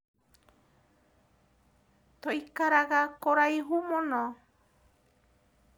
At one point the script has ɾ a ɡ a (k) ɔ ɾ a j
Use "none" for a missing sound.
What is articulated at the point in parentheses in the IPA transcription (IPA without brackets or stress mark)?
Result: k